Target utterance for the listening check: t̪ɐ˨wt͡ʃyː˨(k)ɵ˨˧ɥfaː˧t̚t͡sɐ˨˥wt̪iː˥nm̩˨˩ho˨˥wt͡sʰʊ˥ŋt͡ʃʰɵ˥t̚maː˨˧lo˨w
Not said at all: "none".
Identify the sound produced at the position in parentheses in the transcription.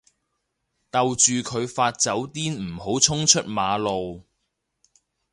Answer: kʰ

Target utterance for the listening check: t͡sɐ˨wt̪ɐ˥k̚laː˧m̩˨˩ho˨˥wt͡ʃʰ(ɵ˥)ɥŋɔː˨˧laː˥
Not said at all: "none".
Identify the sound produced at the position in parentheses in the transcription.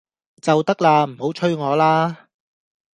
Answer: ɵ˥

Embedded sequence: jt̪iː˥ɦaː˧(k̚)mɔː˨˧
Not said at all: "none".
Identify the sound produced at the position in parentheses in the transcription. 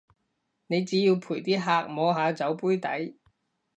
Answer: k̚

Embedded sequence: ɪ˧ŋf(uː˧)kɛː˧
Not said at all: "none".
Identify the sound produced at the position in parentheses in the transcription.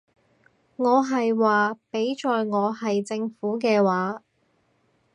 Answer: uː˨˥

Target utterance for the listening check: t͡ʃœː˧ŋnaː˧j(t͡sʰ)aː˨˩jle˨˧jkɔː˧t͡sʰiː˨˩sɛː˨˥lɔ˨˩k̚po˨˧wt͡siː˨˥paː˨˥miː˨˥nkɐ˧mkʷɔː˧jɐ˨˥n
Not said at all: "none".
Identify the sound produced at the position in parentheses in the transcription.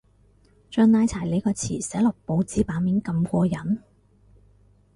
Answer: t͡sʰ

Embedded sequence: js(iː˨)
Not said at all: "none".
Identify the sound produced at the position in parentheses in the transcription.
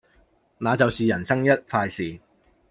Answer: iː˨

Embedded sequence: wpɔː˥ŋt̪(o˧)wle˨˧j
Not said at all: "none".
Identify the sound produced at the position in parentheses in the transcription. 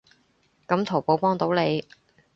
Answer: o˨˥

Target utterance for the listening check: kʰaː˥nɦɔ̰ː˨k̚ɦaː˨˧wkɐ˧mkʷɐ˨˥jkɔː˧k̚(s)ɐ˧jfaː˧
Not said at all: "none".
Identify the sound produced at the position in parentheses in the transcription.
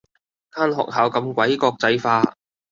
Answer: t͡s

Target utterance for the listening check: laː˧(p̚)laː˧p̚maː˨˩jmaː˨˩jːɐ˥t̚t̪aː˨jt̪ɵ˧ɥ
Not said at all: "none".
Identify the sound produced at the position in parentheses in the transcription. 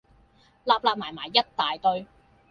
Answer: p̚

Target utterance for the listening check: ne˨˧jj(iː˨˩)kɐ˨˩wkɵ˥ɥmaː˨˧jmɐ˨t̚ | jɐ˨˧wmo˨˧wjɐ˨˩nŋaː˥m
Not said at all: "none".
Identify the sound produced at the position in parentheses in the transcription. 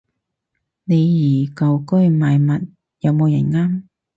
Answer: iː˨˩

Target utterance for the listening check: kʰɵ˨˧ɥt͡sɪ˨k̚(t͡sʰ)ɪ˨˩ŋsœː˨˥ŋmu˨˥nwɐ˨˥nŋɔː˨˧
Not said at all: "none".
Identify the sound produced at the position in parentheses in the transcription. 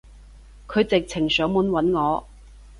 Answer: t͡sʰ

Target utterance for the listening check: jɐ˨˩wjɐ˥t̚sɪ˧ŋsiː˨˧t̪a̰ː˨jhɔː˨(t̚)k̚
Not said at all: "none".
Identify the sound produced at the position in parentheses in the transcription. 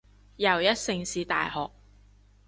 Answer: none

